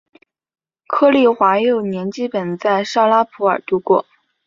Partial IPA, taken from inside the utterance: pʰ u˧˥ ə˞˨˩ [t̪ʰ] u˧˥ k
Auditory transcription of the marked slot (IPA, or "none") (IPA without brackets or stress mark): t̪